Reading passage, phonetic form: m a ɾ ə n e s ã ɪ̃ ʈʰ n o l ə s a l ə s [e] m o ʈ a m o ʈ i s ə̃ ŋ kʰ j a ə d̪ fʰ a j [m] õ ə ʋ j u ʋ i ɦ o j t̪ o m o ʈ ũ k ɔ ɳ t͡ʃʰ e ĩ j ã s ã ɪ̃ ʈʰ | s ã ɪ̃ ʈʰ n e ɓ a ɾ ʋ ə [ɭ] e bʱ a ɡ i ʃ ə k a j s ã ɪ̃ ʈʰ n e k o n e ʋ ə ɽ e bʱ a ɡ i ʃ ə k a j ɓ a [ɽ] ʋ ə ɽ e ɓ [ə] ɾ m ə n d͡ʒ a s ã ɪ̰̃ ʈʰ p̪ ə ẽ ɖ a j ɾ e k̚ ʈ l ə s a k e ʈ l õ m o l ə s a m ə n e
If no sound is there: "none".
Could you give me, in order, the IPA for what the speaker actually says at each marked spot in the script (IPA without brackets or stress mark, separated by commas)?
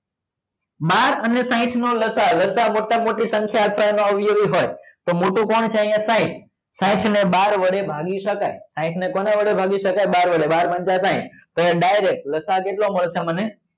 a, n, ɽ, ɾ, a